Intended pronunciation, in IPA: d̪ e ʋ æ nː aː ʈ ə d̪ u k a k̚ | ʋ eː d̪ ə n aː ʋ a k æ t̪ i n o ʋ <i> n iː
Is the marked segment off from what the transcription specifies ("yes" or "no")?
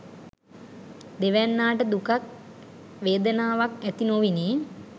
no